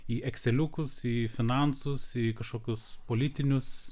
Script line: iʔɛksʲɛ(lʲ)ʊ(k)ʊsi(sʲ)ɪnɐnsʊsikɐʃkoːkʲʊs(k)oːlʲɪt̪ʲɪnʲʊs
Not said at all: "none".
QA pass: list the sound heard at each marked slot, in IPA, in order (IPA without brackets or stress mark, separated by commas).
lʲ, k, fʲ, p